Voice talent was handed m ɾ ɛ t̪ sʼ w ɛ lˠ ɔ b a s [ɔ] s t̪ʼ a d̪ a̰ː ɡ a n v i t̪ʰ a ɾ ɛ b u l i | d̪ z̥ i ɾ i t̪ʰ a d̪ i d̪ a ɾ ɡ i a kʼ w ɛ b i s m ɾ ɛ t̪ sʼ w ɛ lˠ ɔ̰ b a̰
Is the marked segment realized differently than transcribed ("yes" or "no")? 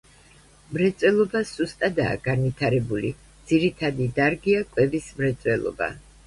yes